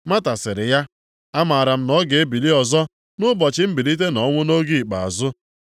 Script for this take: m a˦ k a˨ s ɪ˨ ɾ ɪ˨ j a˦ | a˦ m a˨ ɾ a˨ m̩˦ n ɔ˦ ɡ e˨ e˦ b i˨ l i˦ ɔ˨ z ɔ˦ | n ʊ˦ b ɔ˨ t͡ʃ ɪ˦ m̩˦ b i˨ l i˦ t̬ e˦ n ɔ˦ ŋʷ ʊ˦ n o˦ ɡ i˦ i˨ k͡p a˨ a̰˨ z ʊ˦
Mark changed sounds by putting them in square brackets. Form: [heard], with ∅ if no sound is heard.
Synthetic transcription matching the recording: m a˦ [t] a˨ s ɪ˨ ɾ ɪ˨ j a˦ | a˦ m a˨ ɾ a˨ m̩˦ n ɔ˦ ɡ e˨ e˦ b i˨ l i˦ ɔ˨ z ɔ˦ | n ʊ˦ b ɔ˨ t͡ʃ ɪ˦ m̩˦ b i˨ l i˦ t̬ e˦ n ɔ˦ ŋʷ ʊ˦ n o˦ ɡ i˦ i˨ k͡p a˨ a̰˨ z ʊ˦